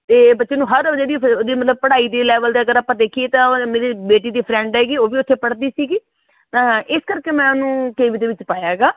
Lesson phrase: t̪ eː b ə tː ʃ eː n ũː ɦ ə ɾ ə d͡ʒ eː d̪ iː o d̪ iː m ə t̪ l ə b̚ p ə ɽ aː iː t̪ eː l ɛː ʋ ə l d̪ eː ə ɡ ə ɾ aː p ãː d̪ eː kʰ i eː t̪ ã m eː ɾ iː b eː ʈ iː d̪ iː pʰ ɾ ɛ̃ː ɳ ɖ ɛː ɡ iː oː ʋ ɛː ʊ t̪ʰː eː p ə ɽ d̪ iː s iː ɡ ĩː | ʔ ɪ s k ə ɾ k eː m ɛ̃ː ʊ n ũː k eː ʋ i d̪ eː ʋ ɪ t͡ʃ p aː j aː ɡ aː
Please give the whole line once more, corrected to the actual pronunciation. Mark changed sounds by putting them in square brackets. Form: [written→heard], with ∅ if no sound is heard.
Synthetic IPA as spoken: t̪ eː b ə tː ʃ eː n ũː ɦ ə ɾ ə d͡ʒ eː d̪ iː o d̪ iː m ə t̪ l ə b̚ p ə ɽ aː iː [t̪→d̪] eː l ɛː ʋ ə l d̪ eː ə ɡ ə ɾ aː p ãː d̪ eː kʰ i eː t̪ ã m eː ɾ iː b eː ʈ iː d̪ iː pʰ ɾ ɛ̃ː ɳ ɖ ɛː ɡ iː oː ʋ [ɛː→iː] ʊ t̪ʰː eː p ə ɽ d̪ iː s iː ɡ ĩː | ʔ ɪ s k ə ɾ k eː m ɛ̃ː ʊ n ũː k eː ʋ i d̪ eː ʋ ɪ t͡ʃ p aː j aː ɡ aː